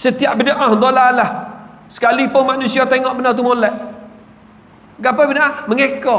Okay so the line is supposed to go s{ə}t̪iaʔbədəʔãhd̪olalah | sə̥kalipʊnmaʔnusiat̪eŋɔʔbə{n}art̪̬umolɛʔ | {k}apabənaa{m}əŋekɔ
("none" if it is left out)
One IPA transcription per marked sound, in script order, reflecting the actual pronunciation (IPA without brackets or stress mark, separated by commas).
ə, n, ɡ, m